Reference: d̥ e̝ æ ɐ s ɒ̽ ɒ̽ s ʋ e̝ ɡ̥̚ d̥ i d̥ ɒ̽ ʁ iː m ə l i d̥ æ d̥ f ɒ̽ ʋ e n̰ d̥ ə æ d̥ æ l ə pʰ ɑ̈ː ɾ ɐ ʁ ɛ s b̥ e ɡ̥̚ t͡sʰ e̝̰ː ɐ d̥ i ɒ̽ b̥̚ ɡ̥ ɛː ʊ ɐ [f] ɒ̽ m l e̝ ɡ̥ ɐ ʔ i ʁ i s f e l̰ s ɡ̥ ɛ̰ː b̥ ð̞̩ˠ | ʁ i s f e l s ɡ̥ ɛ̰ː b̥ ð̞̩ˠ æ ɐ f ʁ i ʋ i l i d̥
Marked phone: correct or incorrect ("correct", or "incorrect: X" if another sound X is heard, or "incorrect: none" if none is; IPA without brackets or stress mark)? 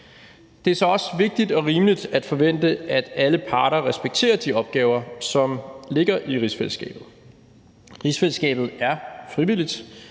incorrect: s